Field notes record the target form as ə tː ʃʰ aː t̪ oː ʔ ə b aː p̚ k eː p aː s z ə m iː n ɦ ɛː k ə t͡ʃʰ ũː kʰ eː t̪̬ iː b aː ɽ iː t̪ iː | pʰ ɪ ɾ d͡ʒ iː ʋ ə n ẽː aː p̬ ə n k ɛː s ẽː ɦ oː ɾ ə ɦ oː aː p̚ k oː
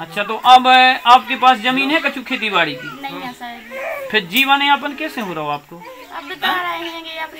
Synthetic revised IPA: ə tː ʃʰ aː t̪ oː ʔ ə b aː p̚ k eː p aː s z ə m iː n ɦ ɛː k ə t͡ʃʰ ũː kʰ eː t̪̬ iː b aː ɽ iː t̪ iː | pʰ ɪ ɾ d͡ʒ iː ʋ ə n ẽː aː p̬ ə n k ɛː s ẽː ɦ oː ɾ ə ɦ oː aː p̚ k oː